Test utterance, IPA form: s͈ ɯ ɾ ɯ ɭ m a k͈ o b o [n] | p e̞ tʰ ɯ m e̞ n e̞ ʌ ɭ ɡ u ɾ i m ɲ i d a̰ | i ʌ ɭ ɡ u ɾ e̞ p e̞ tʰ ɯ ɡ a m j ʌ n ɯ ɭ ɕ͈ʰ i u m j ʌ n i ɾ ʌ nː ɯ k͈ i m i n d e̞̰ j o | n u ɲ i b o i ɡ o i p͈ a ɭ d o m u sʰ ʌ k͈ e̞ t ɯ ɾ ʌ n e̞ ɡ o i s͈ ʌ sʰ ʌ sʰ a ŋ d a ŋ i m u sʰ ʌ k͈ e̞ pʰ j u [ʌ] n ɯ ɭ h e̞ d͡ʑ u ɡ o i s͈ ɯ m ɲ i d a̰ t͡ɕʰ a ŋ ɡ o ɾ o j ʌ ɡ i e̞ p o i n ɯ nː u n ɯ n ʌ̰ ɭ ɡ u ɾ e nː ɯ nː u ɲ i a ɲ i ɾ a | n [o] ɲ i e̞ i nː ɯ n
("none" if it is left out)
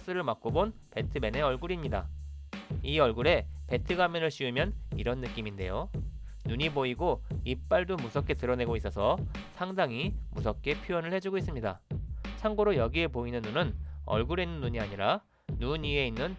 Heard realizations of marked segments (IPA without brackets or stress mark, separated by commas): n, ʌ, u